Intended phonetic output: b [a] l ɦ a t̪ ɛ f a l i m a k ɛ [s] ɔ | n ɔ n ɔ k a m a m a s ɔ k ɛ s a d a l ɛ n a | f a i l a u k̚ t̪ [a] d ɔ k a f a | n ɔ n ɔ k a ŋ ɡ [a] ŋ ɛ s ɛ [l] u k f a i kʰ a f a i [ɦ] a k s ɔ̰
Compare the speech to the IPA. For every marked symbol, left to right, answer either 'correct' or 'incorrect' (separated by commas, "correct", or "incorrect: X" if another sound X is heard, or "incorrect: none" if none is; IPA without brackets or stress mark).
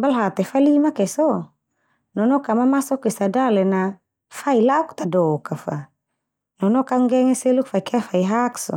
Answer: correct, correct, correct, incorrect: ɛ, correct, correct